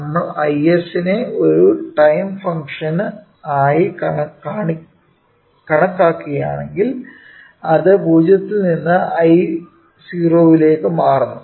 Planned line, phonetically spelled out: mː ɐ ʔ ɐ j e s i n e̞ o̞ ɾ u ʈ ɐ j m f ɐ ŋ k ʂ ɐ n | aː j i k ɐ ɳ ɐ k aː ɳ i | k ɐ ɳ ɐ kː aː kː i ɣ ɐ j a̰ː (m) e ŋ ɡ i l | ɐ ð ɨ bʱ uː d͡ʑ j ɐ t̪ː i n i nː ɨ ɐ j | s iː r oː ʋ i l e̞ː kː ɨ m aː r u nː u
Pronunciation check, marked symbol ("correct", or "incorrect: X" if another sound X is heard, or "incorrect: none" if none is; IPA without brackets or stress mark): incorrect: ɳ